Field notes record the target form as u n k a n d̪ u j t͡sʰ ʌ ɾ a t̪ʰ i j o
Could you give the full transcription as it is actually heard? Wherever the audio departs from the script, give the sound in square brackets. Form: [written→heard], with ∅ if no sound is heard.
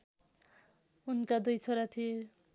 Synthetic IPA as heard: u n k a [n→∅] d̪ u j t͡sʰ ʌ ɾ a t̪ʰ i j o